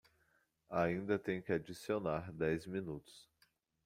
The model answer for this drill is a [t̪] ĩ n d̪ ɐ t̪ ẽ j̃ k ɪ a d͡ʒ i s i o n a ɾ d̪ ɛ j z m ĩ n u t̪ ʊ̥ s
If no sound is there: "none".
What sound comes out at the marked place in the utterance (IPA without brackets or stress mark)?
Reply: none